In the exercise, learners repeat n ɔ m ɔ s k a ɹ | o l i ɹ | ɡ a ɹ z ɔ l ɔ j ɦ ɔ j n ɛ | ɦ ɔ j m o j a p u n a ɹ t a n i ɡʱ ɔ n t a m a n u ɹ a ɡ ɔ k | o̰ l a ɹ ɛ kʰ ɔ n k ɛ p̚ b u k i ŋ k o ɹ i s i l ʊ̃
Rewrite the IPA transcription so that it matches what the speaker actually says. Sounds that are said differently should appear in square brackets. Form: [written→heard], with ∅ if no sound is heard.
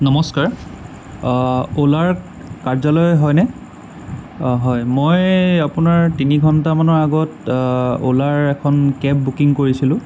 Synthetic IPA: n ɔ m ɔ s k a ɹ | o l [i→a] ɹ | [ɡ→k] a ɹ z ɔ l ɔ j ɦ ɔ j n ɛ | ɦ ɔ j m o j a p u n a ɹ t [a→i] n i ɡʱ ɔ n t a m a n [u→ɔ] ɹ a ɡ ɔ [k→t] | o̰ l a ɹ ɛ kʰ ɔ n k ɛ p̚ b u k i ŋ k o ɹ i s i l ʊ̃